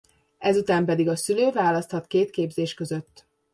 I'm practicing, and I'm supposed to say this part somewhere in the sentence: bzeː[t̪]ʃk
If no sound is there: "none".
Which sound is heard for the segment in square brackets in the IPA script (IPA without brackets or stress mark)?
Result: none